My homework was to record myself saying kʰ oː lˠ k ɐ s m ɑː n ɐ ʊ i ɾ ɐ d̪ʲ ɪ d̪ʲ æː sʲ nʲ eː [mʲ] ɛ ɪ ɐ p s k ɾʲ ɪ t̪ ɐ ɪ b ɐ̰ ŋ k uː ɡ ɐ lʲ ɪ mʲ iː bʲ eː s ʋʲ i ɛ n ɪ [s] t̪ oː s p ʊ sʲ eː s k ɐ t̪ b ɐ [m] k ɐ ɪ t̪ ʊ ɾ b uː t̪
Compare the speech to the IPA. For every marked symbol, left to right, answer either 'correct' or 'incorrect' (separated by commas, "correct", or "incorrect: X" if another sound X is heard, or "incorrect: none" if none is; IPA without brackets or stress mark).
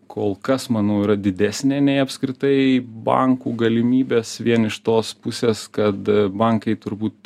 incorrect: nʲ, incorrect: ʃ, incorrect: ŋ